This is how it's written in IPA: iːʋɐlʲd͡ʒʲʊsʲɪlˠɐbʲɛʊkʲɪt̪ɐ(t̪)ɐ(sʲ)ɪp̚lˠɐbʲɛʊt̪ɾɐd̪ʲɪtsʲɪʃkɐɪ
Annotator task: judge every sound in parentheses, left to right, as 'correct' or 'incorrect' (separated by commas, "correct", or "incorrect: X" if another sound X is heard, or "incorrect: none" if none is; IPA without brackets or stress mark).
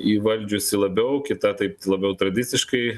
correct, incorrect: none